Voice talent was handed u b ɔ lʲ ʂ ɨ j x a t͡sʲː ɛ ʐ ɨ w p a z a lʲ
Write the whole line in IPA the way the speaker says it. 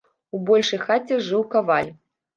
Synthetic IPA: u b ɔ lʲ ʂ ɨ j x a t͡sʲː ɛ ʐ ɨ w k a v a lʲ